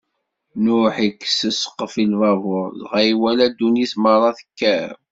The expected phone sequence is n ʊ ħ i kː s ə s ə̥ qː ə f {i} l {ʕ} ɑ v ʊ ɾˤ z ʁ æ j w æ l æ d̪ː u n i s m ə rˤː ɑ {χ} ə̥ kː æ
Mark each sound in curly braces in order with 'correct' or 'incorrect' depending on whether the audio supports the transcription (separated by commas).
correct, incorrect, incorrect